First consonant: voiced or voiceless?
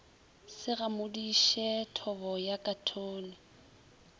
voiceless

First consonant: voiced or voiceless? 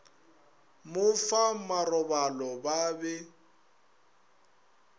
voiced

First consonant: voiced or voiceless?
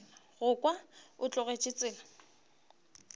voiced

